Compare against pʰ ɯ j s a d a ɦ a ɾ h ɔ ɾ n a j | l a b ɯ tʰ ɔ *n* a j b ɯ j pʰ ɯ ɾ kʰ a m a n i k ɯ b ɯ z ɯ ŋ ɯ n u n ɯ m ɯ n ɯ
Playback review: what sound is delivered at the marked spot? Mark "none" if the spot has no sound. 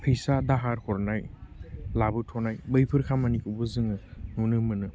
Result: n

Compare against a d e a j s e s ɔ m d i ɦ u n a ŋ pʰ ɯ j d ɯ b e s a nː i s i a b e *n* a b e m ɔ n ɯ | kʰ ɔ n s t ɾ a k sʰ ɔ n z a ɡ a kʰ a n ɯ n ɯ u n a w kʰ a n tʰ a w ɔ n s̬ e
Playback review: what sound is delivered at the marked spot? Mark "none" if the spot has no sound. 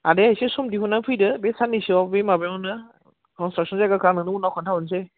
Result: m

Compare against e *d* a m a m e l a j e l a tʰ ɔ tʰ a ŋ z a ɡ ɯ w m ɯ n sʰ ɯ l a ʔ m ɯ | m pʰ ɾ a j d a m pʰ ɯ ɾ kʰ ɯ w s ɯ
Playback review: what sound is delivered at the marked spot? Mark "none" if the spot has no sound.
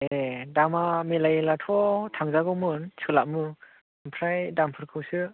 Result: d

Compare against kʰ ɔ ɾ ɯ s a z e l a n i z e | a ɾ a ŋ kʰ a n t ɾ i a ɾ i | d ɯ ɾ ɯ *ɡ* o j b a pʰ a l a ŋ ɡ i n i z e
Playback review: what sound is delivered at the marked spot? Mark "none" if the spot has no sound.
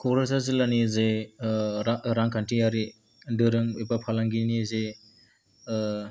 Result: ŋ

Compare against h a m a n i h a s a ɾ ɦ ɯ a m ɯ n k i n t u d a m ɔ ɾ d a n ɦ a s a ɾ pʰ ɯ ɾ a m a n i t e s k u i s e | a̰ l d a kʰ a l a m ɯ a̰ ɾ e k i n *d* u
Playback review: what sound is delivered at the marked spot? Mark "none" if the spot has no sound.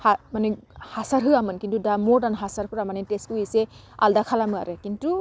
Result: t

